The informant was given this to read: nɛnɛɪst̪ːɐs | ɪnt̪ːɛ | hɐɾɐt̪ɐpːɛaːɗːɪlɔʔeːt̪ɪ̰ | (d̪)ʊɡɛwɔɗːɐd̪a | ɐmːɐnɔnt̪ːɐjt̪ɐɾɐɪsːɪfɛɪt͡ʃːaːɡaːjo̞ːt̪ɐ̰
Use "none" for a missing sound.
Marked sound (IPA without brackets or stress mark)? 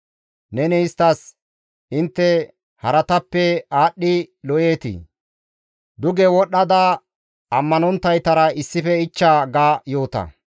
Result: d̪